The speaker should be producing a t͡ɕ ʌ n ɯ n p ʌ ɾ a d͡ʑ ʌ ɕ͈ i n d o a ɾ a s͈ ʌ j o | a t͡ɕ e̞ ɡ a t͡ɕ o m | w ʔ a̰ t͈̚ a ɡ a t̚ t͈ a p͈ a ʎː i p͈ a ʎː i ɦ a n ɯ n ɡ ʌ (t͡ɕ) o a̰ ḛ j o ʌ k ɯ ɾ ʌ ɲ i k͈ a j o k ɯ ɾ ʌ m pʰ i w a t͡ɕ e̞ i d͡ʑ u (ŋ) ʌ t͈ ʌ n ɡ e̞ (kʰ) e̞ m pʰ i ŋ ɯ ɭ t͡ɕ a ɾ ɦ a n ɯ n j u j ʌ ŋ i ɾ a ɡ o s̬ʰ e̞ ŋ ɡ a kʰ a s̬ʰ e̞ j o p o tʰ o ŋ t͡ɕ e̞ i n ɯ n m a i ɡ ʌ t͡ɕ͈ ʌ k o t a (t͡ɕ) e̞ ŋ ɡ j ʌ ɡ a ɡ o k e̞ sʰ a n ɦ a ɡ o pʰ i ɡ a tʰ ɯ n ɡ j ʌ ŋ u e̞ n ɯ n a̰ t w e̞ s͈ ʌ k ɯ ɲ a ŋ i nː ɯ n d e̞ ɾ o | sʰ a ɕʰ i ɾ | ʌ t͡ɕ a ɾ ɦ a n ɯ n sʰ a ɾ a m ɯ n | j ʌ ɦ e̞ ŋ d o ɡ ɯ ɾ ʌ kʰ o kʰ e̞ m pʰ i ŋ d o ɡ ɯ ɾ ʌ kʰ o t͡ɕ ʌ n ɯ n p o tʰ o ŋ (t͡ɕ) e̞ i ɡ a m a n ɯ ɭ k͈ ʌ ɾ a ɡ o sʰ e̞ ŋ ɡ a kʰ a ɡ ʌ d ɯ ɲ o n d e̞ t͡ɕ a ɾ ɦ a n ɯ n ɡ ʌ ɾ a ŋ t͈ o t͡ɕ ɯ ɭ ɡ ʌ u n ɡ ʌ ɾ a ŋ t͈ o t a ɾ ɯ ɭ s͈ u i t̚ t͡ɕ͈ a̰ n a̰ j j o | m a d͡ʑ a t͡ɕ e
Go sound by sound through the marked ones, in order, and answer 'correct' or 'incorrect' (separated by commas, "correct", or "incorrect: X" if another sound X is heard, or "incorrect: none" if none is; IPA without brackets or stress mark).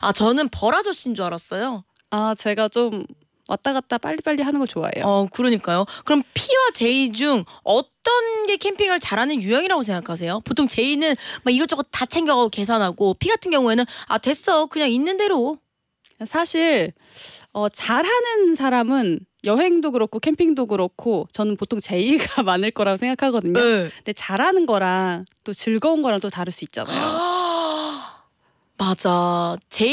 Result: correct, correct, correct, incorrect: t͡ɕʰ, correct